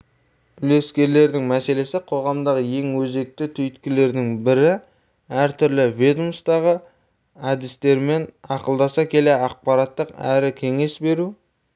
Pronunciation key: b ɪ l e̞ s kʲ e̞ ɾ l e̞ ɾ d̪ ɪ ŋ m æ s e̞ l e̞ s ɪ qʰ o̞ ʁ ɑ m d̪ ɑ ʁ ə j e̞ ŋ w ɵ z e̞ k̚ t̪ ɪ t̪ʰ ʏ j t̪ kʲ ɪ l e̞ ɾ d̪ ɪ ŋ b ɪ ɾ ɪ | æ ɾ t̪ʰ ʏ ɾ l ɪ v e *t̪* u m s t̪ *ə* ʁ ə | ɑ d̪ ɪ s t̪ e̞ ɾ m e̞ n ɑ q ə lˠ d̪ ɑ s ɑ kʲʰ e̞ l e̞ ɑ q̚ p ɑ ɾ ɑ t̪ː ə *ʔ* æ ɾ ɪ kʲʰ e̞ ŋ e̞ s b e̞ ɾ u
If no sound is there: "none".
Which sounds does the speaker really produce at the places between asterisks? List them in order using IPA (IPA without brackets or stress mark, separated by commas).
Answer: d̪, ɑ, q